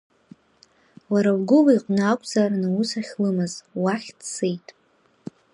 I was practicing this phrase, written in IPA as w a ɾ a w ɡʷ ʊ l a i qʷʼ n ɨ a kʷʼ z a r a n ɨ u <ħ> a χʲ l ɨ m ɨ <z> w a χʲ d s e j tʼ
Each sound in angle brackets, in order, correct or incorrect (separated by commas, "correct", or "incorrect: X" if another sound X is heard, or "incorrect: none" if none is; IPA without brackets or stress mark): incorrect: s, correct